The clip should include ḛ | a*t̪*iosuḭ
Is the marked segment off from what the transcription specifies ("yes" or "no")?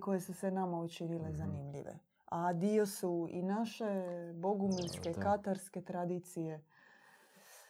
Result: yes